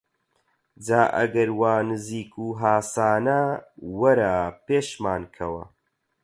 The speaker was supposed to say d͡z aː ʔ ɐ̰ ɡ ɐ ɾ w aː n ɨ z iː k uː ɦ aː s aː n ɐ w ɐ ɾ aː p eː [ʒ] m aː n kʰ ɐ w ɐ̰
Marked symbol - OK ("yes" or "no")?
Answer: no